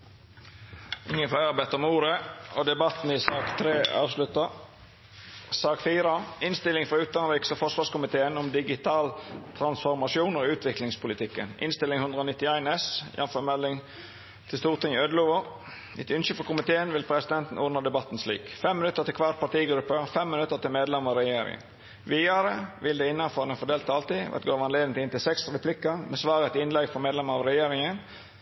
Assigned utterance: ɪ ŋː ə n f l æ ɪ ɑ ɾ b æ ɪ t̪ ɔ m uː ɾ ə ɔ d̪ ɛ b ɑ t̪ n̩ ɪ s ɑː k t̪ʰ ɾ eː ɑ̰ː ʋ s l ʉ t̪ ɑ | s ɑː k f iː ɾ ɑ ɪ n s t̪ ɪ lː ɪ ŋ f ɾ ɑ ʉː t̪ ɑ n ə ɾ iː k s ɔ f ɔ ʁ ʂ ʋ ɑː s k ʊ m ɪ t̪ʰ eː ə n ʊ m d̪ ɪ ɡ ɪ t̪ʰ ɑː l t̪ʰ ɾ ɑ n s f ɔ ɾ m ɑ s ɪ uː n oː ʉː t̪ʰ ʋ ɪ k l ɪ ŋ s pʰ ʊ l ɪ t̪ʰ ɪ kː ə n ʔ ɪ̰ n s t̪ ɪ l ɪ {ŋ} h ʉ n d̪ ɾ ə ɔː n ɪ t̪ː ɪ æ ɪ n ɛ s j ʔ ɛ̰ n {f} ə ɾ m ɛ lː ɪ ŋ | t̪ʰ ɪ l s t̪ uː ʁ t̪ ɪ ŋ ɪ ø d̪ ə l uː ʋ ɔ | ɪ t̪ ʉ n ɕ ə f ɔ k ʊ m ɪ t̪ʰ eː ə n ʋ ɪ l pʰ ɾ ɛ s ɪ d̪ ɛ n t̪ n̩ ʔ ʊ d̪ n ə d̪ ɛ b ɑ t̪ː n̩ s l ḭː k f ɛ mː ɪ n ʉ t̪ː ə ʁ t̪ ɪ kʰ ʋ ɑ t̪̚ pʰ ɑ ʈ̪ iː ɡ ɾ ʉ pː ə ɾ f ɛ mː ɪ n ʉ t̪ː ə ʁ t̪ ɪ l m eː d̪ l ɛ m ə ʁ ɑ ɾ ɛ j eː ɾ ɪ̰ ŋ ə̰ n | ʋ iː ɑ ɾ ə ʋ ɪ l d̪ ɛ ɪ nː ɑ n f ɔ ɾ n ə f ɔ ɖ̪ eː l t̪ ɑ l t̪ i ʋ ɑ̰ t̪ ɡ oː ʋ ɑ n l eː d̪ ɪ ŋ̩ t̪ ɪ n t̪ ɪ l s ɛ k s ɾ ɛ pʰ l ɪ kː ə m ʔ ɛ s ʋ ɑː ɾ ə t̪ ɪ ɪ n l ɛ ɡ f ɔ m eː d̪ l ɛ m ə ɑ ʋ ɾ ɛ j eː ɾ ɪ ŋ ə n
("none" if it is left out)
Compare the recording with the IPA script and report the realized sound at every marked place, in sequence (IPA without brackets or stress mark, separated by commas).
ŋ, f